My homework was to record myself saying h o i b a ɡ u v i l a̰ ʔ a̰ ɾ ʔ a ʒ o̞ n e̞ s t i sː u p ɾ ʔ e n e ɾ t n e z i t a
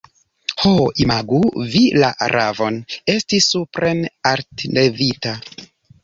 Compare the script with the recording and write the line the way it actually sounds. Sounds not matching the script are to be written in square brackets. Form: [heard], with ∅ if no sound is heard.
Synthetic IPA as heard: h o i [m] a ɡ u v i l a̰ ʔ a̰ ɾ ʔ a [v] o̞ n e̞ s t i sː u p ɾ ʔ e n [a] ɾ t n e [v] i t a